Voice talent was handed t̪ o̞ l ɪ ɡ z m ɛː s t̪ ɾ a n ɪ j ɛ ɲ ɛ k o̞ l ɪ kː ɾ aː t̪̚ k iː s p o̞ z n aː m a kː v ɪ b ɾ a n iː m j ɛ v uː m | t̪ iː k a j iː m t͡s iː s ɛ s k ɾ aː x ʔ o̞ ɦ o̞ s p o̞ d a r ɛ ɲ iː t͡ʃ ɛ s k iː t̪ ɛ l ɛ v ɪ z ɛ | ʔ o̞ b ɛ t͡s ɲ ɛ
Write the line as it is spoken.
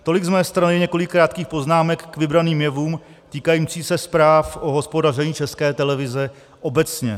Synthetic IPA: t̪ o̞ l ɪ ɡ z m ɛː s t̪ ɾ a n ɪ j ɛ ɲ ɛ k o̞ l ɪ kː ɾ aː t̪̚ k iː x p o̞ z n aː m ɛ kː v ɪ b ɾ a n iː m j ɛ v uː m | t̪ iː k a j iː m t͡s iː s ɛ s p ɾ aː f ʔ o̞ ɦ o̞ s p o̞ d a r ɛ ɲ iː t͡ʃ ɛ s k ɛː t̪ ɛ l ɛ v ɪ z ɛ | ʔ o̞ b ɛ t͡s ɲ ɛ